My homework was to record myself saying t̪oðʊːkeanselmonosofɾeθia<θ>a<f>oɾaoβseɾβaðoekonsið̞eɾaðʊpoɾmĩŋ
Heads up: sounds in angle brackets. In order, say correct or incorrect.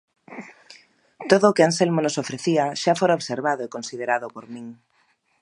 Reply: incorrect: ʃ, correct

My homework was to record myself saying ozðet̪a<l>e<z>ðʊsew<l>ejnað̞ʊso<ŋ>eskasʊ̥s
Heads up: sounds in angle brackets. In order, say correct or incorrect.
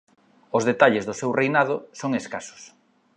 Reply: incorrect: ʎ, correct, incorrect: r, correct

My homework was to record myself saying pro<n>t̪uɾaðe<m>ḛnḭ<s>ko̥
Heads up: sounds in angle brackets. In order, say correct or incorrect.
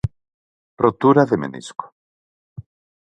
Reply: incorrect: none, correct, correct

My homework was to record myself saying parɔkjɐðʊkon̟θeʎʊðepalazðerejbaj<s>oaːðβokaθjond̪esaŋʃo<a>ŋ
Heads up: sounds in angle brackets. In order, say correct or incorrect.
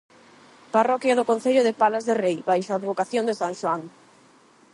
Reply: incorrect: ʃ, correct

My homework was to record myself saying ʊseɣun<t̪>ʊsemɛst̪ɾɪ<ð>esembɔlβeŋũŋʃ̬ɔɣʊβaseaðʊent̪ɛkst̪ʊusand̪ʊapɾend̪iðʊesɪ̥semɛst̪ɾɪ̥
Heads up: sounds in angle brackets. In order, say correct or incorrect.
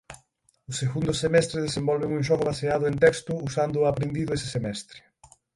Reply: incorrect: d̪, correct

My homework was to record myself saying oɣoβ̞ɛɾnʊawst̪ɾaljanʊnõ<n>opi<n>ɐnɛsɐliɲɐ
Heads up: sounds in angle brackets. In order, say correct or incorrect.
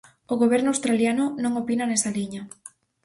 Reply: incorrect: ŋ, correct

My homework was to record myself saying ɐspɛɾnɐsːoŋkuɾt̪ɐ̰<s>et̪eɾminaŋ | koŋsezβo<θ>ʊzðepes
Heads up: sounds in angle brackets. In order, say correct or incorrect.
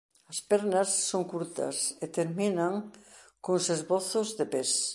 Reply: correct, correct

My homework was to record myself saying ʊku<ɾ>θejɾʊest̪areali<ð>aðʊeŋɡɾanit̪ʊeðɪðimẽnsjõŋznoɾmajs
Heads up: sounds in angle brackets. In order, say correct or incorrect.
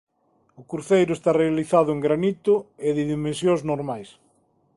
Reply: correct, incorrect: θ

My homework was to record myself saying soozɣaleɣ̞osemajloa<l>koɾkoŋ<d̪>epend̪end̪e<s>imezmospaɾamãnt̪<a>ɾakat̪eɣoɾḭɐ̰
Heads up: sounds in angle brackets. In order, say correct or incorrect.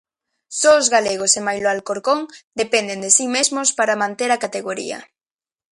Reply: correct, correct, correct, incorrect: e

